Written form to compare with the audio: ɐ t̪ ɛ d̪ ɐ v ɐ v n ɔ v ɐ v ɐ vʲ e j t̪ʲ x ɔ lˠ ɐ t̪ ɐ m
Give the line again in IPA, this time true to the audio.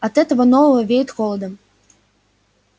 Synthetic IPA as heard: ɐ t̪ ɛ t̪ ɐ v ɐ n ɔ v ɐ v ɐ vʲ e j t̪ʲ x ɔ lˠ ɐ d̪ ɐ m